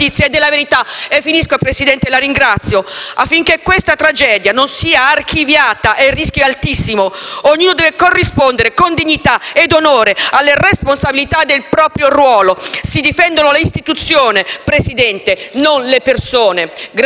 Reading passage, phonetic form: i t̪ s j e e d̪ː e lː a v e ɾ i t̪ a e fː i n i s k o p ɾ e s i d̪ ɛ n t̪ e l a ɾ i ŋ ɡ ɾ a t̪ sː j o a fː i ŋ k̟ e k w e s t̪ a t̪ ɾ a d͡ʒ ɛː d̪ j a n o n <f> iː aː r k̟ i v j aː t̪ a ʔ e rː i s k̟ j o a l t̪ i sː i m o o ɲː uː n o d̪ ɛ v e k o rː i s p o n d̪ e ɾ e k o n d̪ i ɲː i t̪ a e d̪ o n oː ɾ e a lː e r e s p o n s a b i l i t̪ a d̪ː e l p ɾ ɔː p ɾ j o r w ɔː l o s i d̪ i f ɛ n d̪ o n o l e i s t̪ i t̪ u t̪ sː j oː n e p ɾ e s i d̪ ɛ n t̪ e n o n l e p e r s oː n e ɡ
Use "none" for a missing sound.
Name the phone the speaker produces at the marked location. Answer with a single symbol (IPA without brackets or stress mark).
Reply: s